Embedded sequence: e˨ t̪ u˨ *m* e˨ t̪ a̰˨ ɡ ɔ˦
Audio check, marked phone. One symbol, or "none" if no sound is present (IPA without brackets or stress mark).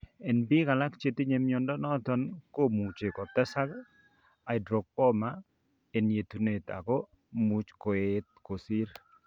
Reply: n